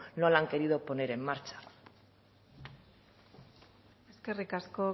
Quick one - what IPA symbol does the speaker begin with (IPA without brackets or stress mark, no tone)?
n